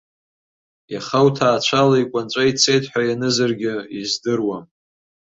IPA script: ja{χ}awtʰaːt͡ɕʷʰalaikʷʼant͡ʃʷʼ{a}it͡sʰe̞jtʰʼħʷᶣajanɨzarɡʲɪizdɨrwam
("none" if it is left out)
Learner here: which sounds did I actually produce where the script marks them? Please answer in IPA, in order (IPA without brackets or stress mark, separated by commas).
χ, a